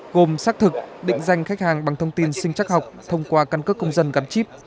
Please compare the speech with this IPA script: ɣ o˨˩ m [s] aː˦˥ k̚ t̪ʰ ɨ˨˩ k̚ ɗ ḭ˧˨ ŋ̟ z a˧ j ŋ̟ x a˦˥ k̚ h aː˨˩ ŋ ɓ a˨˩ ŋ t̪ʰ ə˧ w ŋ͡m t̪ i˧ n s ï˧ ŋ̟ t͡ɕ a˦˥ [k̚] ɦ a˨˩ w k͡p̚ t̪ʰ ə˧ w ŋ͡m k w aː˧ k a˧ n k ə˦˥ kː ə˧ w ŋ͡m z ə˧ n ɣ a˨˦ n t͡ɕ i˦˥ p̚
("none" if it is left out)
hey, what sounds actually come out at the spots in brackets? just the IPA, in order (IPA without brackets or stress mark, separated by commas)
s, k̚